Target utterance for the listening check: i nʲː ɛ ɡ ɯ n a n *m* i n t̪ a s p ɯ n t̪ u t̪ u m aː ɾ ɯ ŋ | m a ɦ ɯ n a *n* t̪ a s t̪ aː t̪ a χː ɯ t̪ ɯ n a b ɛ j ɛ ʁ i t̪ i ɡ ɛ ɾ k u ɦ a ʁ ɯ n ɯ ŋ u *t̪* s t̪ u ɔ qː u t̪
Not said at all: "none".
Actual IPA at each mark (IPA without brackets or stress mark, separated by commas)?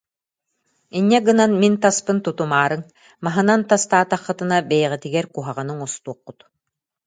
m, n, none